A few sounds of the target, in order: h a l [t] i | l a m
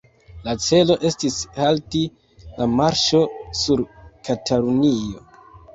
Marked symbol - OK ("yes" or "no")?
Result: yes